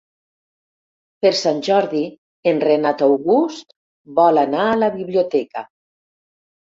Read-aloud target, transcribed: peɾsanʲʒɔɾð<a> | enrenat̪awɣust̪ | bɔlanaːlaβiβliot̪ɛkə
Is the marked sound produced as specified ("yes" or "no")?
no